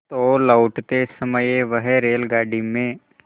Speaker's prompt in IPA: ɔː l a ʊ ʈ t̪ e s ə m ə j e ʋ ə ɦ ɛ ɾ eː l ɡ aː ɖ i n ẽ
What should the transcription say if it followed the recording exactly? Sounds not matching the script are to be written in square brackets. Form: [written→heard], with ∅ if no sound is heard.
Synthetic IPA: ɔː l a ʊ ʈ t̪ e s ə m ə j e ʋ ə ɦ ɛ ɾ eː l ɡ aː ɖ i [n→m] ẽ